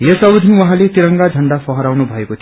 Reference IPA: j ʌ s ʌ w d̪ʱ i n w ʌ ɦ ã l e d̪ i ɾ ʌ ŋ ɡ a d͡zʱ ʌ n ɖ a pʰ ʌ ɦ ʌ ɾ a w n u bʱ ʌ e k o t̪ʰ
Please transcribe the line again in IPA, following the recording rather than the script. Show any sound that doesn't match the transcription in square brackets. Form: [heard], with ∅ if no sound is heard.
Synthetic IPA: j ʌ s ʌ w d̪ʱ i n w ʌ ɦ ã l e [t̪] i ɾ ʌ ŋ ɡ a d͡zʱ ʌ [ɳ] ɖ a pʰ ʌ ɦ ʌ ɾ a w n u bʱ ʌ e k o t̪ʰ